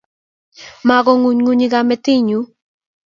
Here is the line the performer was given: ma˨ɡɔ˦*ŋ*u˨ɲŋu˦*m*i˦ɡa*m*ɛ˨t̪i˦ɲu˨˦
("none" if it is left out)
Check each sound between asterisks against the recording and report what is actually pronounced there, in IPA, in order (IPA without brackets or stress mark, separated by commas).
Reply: ŋ, ɲ, m